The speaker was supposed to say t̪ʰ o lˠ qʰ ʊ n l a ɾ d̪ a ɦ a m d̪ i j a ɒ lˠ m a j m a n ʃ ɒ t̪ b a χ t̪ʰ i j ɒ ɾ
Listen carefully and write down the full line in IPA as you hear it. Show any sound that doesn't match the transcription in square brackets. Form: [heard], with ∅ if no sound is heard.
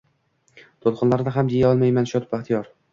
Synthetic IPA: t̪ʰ o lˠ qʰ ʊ n l a ɾ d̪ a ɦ a m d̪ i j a ɒ lˠ m a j m a n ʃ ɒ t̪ b a χ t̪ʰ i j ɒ ɾ

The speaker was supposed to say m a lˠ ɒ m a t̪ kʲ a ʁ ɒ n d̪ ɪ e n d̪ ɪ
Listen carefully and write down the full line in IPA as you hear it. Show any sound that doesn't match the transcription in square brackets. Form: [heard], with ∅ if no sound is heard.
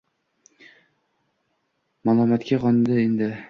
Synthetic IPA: m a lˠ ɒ m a t̪ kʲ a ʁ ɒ n d̪ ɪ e n d̪ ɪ

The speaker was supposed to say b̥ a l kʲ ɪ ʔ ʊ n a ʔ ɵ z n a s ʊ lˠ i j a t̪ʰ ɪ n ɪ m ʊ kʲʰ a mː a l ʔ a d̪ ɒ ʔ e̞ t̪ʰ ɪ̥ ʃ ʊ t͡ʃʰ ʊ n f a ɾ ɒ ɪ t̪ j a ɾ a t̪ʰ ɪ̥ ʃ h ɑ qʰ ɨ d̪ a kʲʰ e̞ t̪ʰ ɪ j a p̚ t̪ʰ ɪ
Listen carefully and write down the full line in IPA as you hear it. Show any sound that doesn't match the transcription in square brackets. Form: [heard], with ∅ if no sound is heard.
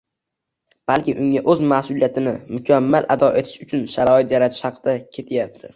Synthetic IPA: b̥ a l kʲ ɪ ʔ ʊ [ŋ] a ʔ ɵ z [m] a s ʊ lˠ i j a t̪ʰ ɪ n ɪ m ʊ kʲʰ a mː a l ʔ a d̪ ɒ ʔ e̞ t̪ʰ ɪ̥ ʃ ʊ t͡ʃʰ ʊ n [ʃ] a ɾ ɒ ɪ t̪ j a ɾ a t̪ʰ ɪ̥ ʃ h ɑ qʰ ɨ d̪ a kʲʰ e̞ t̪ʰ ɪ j a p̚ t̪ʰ ɪ

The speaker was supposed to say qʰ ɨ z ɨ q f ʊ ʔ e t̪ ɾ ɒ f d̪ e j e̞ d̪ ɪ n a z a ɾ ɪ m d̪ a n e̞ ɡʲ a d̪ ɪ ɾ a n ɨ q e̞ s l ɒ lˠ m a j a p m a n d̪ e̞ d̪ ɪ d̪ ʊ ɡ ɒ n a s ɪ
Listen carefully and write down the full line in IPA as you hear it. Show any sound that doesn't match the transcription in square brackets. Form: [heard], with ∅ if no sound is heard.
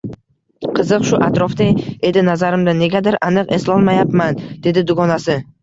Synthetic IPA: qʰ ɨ z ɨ q [ʃ] ʊ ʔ [a] t̪ ɾ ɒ f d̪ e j e̞ d̪ ɪ n a z a ɾ ɪ m d̪ a n e̞ ɡʲ a d̪ ɪ ɾ a n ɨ q e̞ s l ɒ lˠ m a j a p m a n d̪ e̞ d̪ ɪ d̪ ʊ ɡ ɒ n a s ɪ

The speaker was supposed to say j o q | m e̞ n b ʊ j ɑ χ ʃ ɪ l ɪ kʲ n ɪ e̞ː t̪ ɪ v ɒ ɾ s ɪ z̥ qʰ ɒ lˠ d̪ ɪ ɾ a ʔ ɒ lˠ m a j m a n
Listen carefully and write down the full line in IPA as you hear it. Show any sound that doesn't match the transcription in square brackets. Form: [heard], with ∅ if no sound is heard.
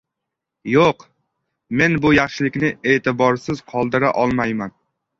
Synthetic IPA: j o q | m e̞ n b ʊ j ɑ χ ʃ ɪ l ɪ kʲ n ɪ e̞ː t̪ ɪ [b] ɒ ɾ s ɪ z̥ qʰ ɒ lˠ d̪ ɪ ɾ a ʔ ɒ lˠ m a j m a n

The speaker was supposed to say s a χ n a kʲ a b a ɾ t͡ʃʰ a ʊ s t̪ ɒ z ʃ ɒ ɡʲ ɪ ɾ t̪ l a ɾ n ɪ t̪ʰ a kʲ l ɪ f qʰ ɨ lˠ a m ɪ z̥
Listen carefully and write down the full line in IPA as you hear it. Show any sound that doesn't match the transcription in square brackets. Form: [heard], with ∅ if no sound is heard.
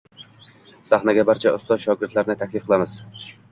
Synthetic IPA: s a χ n a [ɡʲ] a b a ɾ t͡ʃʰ a ʊ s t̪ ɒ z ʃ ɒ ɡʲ ɪ ɾ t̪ l a ɾ n ɪ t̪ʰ a kʲ l ɪ f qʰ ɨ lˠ a m ɪ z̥

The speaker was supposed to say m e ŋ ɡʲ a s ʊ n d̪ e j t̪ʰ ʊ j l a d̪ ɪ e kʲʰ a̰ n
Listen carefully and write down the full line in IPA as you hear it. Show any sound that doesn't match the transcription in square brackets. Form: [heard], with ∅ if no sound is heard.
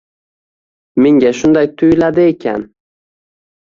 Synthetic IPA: m e ŋ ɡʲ a [ʃ] ʊ n d̪ [a] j t̪ʰ ʊ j l a d̪ ɪ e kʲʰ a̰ n

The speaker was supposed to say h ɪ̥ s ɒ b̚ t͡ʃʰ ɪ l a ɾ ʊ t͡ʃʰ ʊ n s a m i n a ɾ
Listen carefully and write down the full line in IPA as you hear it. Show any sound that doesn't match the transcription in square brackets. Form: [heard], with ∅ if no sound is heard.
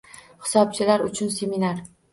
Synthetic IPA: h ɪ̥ s ɒ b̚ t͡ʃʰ ɪ l a ɾ ʊ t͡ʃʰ ʊ n s [e] m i n a ɾ

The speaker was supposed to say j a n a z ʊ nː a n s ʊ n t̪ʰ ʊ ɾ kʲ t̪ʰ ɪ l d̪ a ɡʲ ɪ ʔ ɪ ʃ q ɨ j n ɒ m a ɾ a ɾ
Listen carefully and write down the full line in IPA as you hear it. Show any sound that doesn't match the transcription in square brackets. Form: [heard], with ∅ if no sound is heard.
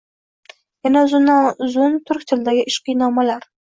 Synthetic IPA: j a n a z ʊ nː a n [z] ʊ n t̪ʰ ʊ ɾ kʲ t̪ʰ ɪ l d̪ a ɡʲ ɪ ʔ ɪ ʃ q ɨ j n ɒ m a [l] a ɾ

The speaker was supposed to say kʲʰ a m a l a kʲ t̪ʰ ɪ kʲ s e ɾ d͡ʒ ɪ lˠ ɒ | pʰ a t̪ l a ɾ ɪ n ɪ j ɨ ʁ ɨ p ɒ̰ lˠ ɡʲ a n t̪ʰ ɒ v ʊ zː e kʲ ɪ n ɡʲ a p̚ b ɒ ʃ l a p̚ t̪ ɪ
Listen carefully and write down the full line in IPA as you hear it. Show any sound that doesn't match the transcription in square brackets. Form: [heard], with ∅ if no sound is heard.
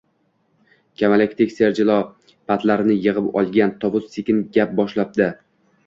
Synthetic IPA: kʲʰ a m a l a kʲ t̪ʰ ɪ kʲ s e ɾ d͡ʒ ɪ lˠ ɒ | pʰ a t̪ l a ɾ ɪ n ɪ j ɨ ʁ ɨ p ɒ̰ lˠ ɡʲ a n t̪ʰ ɒ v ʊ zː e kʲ ɪ n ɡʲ a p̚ b ɒ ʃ l a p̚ [d̪] ɪ

